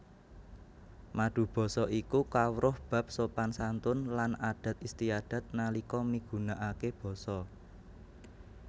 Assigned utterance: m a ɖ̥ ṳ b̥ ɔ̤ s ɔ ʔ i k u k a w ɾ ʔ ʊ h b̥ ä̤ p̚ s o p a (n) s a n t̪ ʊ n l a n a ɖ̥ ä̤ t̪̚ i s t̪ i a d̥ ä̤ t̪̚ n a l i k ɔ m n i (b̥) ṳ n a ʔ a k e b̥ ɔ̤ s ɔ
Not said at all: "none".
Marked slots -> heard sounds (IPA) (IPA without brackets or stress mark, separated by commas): n, ɡ̥